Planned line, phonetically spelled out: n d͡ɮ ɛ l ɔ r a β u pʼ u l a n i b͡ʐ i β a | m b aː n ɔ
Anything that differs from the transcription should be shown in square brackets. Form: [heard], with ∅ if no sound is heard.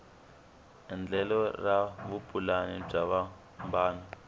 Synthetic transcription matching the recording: n d͡ɮ ɛ l ɔ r a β u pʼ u l a n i b͡ʐ [a] β a | m b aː n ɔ